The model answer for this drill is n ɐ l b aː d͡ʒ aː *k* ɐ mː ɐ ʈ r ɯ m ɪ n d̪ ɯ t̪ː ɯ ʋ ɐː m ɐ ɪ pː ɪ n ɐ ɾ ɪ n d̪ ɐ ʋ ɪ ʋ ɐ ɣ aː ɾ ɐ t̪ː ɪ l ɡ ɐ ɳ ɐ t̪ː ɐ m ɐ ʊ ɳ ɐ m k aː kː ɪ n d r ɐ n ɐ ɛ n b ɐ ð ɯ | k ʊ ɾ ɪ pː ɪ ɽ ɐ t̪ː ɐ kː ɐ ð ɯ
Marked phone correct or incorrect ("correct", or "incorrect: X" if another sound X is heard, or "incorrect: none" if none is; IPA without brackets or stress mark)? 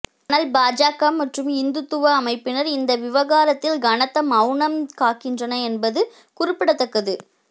correct